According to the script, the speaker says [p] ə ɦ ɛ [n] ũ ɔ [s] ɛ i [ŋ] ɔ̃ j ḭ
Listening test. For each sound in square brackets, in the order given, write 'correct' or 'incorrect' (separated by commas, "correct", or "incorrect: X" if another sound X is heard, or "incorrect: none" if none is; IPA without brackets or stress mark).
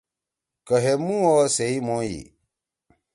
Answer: incorrect: k, incorrect: m, correct, incorrect: m